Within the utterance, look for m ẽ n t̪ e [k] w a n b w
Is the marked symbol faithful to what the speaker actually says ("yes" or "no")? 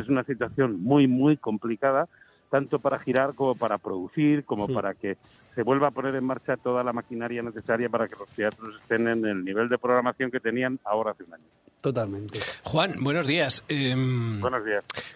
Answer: no